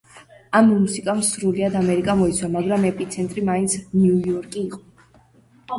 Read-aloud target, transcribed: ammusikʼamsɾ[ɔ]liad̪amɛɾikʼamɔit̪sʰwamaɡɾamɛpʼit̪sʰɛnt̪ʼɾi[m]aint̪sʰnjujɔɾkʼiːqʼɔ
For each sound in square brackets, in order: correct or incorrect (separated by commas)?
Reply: incorrect, correct